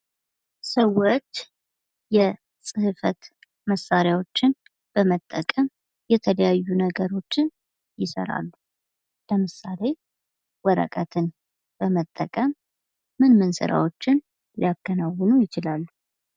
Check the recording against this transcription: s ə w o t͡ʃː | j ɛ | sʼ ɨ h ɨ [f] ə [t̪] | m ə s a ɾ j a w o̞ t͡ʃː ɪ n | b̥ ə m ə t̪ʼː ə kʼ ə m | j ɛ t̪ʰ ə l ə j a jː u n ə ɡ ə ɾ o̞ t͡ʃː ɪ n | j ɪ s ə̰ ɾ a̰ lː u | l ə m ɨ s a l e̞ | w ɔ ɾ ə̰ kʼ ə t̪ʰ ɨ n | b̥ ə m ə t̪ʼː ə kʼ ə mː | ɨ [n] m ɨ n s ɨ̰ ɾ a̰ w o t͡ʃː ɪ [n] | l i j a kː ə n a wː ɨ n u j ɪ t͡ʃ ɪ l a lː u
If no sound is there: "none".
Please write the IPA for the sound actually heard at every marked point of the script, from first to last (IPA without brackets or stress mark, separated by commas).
f, t̪, n, n